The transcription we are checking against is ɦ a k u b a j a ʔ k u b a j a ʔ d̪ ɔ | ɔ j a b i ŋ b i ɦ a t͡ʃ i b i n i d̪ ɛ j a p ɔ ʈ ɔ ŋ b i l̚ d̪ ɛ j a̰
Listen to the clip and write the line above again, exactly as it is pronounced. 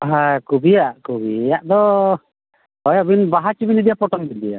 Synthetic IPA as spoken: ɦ a k u b i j a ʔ k u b i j a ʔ d̪ ɔ | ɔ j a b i n b a ɦ a t͡ʃ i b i n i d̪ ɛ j a p ɔ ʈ ɔ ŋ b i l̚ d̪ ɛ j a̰